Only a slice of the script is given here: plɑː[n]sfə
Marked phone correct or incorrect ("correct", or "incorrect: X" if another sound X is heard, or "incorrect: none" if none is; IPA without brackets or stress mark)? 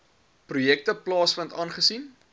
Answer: incorrect: none